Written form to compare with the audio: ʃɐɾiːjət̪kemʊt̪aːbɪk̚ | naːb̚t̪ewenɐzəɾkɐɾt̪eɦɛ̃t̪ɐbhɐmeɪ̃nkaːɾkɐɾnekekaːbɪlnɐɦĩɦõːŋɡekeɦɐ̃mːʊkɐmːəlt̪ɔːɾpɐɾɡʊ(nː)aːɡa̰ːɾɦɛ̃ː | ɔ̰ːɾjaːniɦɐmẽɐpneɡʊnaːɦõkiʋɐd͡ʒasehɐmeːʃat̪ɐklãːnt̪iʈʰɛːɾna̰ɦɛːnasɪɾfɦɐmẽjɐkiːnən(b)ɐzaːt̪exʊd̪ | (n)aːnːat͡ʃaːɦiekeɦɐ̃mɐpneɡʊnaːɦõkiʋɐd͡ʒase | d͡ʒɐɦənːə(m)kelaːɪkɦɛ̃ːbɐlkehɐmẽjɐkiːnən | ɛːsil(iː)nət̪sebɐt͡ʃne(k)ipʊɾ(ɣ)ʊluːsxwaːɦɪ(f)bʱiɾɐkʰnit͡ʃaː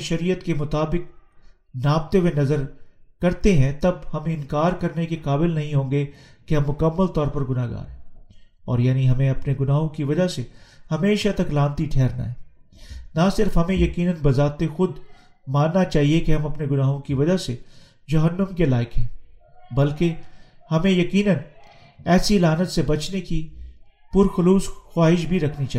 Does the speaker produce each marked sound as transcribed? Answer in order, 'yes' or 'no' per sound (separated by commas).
no, yes, no, yes, no, yes, no, no